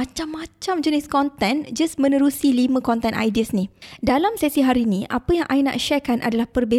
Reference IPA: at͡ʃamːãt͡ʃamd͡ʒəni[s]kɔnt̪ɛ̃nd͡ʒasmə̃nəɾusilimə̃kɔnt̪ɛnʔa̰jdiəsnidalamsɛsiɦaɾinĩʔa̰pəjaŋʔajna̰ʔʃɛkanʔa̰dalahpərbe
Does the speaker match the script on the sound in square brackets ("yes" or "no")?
yes